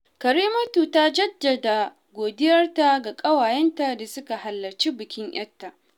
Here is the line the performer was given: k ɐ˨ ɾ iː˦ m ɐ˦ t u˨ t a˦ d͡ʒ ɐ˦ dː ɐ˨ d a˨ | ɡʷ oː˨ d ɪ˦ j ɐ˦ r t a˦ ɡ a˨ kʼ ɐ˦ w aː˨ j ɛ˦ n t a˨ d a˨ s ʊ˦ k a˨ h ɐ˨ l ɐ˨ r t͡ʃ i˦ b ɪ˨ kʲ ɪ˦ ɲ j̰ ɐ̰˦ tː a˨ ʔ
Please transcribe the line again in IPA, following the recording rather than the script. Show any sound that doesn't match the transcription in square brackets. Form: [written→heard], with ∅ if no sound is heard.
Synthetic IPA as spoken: k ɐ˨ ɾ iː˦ m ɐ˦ t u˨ t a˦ d͡ʒ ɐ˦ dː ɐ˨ d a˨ | ɡʷ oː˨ d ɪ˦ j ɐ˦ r t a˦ ɡ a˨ kʼ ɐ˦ w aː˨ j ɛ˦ n t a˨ d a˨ s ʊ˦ k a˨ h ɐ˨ [l→lː] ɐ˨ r t͡ʃ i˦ b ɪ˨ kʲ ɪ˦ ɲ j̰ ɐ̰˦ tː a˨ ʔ